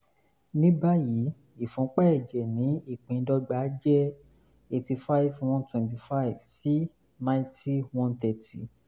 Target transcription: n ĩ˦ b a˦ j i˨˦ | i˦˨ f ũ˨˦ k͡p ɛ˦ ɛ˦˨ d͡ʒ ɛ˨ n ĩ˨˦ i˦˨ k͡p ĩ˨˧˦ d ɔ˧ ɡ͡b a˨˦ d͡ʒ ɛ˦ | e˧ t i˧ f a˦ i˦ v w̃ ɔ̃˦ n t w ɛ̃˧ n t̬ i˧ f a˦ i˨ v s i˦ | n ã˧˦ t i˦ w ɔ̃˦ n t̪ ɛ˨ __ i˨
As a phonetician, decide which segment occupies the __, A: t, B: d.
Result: A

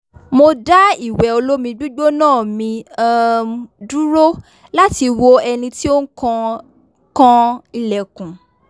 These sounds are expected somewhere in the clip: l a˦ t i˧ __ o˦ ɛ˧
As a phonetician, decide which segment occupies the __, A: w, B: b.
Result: A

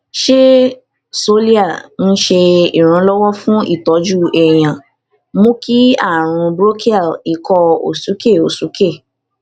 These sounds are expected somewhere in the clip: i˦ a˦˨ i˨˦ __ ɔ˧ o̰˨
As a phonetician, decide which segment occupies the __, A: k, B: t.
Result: A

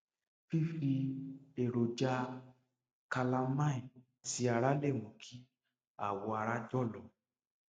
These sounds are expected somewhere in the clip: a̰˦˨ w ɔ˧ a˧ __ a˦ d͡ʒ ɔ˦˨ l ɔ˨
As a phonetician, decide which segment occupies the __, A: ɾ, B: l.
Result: A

